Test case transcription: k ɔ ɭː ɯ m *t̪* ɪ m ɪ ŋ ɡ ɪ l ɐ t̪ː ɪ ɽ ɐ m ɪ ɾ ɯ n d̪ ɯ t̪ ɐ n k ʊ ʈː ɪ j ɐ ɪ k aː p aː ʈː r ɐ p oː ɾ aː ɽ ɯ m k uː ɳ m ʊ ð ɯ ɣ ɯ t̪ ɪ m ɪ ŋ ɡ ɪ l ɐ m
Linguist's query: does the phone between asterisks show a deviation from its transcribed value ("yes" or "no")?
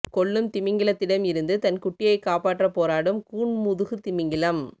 no